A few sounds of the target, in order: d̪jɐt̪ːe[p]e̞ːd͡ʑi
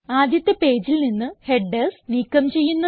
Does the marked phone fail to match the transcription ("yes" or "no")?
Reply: no